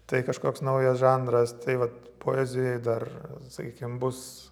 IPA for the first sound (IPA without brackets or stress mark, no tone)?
t̪